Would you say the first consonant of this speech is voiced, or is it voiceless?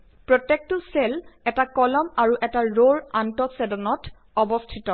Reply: voiceless